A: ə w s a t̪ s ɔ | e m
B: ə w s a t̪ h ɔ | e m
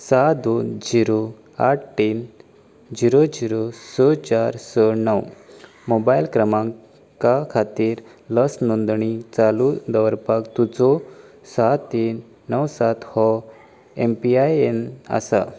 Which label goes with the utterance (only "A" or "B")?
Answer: B